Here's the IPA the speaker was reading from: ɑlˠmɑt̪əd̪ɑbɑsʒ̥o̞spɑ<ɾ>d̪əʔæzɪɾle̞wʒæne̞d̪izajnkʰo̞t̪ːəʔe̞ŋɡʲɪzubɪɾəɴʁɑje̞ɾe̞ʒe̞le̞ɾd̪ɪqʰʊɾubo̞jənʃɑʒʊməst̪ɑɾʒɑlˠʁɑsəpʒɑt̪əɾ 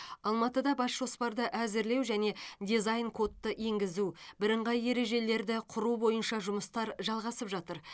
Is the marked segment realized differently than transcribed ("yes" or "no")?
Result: no